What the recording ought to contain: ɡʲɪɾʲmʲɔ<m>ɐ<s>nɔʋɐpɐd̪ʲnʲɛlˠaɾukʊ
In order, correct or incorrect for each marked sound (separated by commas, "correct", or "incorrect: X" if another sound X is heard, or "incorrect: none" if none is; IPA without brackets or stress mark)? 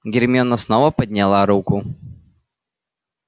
incorrect: n, correct